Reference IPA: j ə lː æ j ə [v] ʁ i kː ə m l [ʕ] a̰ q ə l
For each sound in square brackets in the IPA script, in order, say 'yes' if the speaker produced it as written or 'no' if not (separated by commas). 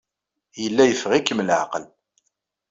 no, yes